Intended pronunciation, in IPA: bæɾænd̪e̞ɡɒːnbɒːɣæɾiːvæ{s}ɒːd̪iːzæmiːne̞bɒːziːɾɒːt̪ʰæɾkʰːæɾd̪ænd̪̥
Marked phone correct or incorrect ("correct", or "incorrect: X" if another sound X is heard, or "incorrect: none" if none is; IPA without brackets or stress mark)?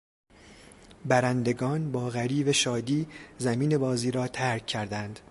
incorrect: ʃ